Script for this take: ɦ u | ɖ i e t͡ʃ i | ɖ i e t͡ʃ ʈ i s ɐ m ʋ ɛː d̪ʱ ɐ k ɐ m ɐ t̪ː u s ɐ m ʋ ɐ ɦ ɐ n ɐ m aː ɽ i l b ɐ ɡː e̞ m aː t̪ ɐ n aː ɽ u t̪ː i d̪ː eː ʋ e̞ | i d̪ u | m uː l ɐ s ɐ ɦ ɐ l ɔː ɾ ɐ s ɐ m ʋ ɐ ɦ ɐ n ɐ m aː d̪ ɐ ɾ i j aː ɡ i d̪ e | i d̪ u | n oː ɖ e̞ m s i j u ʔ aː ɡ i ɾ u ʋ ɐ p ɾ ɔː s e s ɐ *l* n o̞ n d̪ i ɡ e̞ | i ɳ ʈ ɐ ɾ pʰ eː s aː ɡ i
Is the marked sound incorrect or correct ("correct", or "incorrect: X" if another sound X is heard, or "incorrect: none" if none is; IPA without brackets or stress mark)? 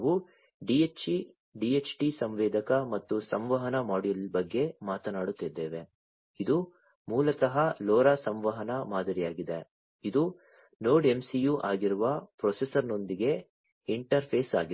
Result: incorrect: ɾ